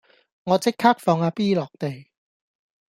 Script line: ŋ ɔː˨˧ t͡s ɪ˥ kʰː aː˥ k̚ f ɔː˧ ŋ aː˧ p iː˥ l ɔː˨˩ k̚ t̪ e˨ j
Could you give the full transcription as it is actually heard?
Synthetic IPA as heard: ŋ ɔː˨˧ t͡s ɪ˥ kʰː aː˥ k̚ f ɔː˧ ŋ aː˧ p iː˥ l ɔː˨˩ k̚ t̪ e˨ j